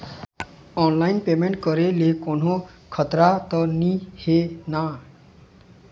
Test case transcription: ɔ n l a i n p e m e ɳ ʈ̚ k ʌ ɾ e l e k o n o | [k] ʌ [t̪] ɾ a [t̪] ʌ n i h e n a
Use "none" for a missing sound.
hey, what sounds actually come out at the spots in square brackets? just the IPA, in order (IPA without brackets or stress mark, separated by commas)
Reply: kʰ, t̪, t̪